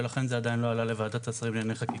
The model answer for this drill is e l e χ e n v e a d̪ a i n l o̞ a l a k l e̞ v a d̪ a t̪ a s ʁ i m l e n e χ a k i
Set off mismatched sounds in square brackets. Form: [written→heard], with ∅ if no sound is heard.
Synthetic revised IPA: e l [e→a] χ e n [v→z] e a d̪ a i n l o̞ a l a [k→∅] l e̞ v a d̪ a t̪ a s ʁ i m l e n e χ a k i